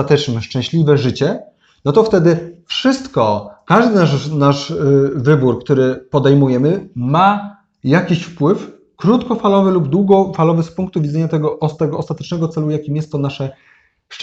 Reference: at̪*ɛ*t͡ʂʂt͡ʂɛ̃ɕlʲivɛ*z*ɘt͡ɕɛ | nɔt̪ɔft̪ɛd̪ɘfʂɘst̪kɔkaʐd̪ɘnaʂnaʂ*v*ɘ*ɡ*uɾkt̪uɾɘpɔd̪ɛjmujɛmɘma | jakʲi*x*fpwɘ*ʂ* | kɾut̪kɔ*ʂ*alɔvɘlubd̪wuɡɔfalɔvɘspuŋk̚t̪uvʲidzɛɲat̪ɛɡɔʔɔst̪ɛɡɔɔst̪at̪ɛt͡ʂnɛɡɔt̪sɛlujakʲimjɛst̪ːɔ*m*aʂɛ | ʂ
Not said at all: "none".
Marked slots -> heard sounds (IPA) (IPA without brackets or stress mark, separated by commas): ɛ, ʐ, v, b, ɕ, f, f, n